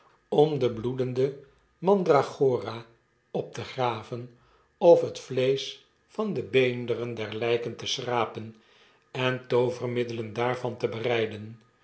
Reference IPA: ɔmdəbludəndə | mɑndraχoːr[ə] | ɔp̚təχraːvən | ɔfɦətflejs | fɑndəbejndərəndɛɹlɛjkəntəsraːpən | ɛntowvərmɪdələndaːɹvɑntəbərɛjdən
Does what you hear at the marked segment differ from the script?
yes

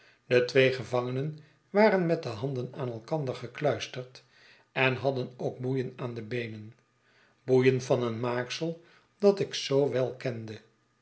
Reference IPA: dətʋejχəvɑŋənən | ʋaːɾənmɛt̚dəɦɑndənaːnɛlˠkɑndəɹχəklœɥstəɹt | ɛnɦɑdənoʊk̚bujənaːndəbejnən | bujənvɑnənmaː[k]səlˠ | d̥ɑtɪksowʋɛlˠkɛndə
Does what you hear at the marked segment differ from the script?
no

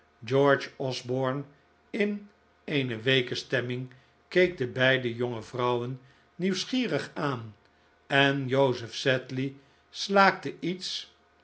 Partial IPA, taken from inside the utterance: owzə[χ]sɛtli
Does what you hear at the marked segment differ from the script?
yes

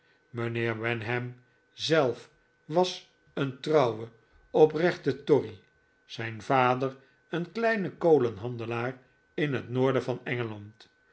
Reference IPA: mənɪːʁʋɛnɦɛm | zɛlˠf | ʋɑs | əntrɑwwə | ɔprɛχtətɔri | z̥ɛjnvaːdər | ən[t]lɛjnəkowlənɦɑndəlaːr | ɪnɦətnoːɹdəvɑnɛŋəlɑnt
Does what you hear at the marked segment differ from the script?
yes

